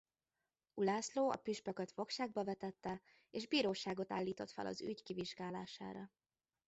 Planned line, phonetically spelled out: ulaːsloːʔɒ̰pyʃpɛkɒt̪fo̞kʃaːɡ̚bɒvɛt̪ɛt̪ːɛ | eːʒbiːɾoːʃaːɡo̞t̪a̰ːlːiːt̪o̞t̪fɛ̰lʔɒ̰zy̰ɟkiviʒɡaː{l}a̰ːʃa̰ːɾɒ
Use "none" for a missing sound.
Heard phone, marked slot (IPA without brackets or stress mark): l